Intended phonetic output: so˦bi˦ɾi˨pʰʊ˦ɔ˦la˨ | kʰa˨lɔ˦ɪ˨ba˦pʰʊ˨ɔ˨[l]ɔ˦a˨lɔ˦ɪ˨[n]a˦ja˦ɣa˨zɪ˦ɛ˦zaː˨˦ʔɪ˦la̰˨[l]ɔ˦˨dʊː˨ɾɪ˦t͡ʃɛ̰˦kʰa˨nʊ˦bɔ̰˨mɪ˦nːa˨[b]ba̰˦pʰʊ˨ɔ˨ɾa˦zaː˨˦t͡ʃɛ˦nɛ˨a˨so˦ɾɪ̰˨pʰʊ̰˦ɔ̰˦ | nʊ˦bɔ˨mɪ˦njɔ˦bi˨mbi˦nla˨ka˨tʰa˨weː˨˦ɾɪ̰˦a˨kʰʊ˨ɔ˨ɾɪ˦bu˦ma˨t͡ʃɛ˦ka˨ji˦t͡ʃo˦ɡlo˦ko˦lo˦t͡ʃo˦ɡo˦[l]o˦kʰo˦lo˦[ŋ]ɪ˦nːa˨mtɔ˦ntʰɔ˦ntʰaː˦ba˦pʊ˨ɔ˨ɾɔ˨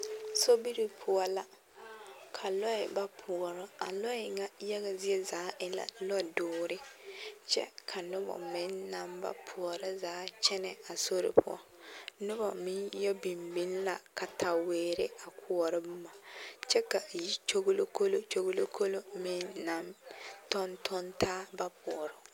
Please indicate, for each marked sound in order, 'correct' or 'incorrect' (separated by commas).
incorrect, incorrect, correct, incorrect, correct, incorrect